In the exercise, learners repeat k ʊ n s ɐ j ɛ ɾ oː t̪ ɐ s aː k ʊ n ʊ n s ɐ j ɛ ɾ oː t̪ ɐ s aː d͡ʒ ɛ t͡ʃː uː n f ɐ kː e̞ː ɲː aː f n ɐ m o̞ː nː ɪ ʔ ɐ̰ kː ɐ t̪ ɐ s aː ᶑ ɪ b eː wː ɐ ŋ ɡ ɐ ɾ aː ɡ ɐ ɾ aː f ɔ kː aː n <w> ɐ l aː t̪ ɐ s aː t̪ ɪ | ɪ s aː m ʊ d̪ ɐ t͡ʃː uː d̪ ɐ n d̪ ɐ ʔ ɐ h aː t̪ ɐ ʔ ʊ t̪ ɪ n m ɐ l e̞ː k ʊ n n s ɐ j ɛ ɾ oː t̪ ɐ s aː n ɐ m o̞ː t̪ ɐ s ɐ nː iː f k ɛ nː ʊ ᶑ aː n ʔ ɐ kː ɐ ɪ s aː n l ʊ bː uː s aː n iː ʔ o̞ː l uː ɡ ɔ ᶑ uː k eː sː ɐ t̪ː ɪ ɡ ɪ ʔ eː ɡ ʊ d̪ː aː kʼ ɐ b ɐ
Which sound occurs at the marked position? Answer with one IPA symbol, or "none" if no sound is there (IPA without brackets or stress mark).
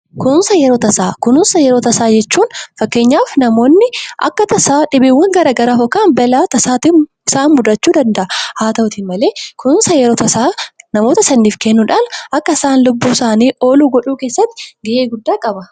b